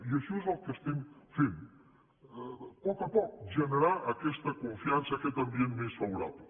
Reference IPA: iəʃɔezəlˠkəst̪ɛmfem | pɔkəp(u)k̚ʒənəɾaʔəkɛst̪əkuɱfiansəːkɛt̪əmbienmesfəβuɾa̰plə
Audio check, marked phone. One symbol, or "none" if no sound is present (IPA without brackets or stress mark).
ɔ